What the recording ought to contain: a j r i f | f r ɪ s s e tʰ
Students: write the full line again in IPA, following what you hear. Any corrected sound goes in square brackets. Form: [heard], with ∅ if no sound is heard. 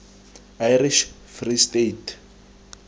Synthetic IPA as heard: a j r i [ʃ] | f r [i] s [t] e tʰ